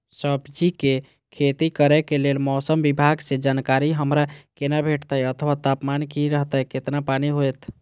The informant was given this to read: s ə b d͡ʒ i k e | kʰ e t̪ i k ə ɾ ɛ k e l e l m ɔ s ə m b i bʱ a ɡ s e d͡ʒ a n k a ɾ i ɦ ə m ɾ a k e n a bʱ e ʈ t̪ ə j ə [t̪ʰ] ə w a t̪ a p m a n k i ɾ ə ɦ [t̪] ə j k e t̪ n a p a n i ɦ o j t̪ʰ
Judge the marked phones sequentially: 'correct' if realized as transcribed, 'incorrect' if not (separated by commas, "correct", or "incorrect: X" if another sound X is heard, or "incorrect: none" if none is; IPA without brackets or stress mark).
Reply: correct, correct